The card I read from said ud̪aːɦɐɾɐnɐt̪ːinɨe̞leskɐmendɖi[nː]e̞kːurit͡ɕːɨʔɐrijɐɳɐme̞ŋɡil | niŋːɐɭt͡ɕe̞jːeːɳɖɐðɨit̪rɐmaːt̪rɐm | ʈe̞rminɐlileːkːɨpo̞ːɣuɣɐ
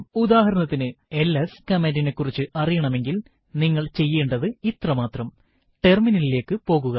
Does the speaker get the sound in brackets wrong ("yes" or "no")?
yes